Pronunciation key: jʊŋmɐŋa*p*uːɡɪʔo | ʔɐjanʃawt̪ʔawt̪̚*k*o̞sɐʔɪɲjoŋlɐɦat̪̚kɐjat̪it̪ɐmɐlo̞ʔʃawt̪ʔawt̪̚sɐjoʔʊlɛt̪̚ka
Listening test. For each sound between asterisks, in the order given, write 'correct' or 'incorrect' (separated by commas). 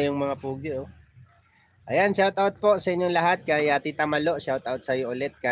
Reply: correct, incorrect